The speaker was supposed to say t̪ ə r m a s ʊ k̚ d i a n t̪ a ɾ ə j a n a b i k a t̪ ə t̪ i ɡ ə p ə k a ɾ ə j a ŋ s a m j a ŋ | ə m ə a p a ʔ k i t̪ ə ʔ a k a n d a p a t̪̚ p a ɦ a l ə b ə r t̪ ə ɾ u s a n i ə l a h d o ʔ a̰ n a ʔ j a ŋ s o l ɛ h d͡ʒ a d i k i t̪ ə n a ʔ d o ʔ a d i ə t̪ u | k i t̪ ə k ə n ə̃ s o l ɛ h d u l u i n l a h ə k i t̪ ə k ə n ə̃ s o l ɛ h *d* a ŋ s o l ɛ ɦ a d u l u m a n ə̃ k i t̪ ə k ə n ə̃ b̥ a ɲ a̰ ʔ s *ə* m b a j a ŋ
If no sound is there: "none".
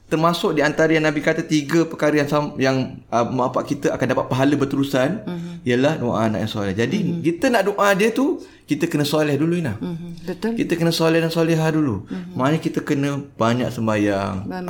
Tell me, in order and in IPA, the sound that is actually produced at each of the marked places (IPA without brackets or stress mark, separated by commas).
d, ə